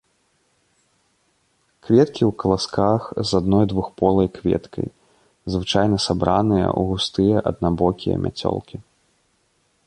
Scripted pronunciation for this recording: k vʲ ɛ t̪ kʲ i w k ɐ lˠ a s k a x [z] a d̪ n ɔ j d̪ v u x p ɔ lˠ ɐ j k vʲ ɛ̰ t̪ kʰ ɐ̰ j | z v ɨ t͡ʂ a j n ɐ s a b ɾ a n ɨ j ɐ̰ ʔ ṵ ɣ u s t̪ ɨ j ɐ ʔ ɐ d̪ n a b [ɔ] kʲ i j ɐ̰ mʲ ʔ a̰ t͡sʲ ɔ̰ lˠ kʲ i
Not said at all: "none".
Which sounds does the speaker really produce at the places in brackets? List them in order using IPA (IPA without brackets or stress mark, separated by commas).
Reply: z, ɔ